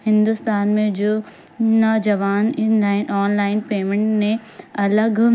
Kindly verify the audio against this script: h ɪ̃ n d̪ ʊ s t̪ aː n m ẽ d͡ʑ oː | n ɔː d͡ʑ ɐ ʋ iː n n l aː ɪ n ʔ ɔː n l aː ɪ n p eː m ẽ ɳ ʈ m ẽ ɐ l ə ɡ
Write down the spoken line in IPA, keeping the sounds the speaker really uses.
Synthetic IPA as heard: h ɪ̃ n d̪ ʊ s t̪ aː n m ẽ d͡ʑ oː | n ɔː d͡ʑ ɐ ʋ aː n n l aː ɪ n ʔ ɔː n l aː ɪ n p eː m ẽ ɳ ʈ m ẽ ɐ l ə ɡ